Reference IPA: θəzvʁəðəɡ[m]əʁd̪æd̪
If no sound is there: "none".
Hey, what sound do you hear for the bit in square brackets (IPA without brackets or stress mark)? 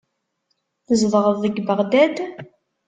b